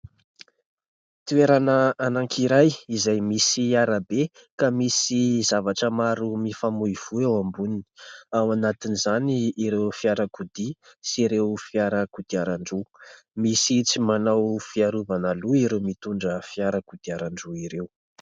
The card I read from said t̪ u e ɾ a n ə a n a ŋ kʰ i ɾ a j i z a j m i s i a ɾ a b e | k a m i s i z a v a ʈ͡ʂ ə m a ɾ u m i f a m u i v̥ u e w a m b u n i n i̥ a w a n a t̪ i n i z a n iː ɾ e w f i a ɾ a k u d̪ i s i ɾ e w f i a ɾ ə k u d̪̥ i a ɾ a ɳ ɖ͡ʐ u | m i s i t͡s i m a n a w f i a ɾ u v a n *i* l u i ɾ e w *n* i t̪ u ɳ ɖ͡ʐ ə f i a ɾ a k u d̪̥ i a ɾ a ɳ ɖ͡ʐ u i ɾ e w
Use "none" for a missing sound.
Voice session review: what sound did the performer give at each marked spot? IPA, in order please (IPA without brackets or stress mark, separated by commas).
a, m